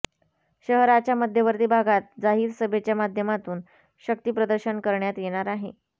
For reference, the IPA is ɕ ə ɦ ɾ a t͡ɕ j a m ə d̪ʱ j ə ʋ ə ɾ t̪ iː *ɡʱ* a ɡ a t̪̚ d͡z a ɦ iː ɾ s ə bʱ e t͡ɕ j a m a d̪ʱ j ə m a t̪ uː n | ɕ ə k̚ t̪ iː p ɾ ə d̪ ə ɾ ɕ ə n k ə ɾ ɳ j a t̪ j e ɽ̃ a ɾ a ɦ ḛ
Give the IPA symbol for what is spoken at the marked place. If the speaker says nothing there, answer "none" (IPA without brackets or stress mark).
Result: bʱ